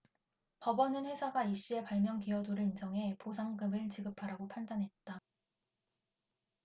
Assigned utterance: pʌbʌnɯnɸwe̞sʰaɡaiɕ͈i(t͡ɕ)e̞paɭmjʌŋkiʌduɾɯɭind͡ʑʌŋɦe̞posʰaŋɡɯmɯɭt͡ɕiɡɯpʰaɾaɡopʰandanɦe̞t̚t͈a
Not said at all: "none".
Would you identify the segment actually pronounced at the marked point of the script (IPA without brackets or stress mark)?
none